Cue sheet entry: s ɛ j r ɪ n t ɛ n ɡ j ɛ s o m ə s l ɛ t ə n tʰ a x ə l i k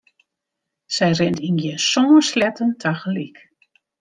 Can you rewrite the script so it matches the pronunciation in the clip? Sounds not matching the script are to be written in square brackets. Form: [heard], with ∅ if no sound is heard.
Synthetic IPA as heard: s ɛ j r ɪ n t [i] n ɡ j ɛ s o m ə s l ɛ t ə n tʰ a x ə l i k